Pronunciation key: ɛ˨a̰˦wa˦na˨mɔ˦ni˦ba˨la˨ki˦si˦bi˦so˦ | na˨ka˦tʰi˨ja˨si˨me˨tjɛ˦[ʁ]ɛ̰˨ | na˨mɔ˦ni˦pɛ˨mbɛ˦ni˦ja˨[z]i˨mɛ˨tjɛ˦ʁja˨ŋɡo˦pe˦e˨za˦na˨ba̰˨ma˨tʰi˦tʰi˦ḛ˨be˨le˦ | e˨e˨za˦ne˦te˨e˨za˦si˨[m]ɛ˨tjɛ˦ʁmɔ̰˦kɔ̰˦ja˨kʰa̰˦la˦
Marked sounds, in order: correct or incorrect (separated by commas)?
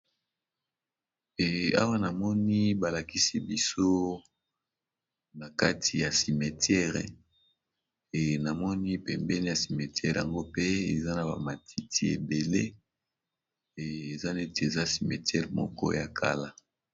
correct, incorrect, correct